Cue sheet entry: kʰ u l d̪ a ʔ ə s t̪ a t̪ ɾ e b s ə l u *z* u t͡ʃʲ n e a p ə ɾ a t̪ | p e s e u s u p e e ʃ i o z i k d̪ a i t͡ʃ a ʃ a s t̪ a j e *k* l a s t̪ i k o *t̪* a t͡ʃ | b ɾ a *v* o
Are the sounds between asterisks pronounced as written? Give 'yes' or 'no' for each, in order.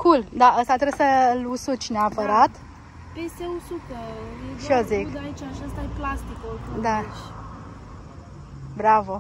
no, no, no, yes

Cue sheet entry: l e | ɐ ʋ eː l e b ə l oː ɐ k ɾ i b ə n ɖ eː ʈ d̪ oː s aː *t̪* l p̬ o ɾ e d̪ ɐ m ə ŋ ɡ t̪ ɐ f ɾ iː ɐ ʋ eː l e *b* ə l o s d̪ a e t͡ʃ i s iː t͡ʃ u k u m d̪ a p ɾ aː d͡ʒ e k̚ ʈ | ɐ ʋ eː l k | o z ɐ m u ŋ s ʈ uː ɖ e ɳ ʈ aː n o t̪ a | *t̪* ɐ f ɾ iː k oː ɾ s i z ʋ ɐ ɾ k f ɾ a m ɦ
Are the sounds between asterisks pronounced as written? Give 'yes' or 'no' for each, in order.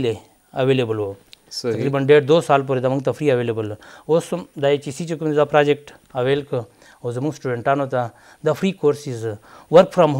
no, yes, no

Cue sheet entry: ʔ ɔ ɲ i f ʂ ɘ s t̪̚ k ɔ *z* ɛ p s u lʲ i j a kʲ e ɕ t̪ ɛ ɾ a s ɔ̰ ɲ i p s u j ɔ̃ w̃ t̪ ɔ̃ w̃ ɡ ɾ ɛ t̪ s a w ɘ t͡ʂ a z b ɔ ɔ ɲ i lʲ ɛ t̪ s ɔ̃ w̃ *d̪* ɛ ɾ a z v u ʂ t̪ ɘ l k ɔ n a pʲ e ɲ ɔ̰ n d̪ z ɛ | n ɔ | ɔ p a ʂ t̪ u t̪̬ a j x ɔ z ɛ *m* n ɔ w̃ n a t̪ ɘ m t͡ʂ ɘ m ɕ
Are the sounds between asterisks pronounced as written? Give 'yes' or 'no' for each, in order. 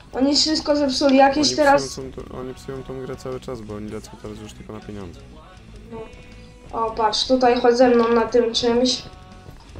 yes, no, yes

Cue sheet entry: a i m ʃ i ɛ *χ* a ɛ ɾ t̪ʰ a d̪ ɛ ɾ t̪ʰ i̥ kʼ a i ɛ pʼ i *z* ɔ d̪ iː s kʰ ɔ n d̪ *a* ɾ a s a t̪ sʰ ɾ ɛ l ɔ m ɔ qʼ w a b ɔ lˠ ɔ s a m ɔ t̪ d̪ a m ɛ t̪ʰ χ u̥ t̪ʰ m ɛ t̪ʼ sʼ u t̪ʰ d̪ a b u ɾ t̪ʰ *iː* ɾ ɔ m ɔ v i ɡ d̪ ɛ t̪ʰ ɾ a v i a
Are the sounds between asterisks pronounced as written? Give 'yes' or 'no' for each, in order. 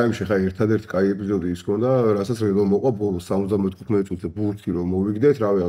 yes, yes, yes, no

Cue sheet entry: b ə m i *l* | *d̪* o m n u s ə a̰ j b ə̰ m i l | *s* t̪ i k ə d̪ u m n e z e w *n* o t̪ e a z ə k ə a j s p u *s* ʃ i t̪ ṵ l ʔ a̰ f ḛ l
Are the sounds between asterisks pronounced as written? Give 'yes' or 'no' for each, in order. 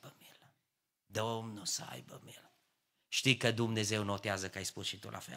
yes, yes, no, yes, yes

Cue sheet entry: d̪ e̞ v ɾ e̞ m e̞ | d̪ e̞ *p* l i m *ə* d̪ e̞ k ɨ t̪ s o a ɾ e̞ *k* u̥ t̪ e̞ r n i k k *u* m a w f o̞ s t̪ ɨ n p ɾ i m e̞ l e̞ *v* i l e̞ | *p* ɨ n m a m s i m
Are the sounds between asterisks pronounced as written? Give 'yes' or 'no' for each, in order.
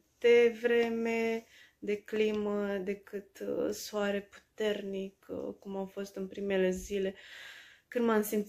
no, yes, no, yes, no, no

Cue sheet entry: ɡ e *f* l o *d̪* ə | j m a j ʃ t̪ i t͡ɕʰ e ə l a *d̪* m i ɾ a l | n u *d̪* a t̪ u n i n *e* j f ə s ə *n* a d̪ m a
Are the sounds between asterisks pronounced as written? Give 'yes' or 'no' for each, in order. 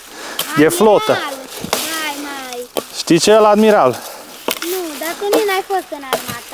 yes, no, yes, yes, no, yes

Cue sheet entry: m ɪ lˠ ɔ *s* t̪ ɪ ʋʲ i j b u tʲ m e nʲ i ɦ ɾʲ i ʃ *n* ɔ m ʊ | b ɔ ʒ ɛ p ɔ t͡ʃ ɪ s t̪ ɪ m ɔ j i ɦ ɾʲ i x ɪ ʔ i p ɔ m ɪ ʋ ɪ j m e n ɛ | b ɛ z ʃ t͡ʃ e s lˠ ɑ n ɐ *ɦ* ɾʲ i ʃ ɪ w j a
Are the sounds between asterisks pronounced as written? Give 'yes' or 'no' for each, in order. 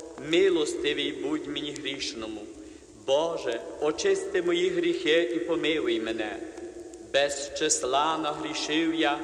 yes, yes, yes

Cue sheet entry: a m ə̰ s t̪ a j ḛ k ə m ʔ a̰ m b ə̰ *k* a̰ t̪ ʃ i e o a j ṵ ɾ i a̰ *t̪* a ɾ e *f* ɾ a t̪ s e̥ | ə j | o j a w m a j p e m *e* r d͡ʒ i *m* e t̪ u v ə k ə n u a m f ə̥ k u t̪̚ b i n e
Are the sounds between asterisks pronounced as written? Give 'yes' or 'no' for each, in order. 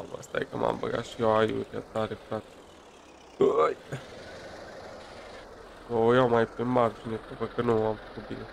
no, yes, yes, no, no

